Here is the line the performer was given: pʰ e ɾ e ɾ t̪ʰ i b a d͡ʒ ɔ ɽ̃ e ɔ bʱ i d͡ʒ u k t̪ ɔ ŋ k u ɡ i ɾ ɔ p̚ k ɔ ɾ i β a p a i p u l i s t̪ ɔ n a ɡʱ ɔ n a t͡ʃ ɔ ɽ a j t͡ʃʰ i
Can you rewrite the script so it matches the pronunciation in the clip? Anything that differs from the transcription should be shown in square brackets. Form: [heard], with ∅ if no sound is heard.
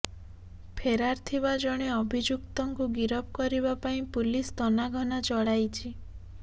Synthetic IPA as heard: pʰ e ɾ [a] ɾ t̪ʰ i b a d͡ʒ ɔ ɽ̃ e ɔ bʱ i d͡ʒ u k t̪ ɔ ŋ k u ɡ i ɾ ɔ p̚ k ɔ ɾ i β a p a [ĩ] p u l i s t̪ ɔ n a ɡʱ ɔ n a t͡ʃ ɔ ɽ a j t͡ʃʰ i